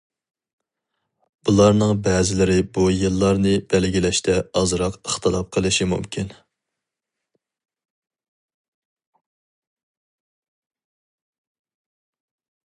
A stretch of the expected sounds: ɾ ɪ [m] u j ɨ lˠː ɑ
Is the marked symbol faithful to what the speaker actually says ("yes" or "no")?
no